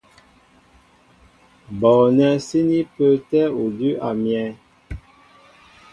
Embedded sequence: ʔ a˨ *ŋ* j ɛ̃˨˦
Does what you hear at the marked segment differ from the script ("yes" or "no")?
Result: yes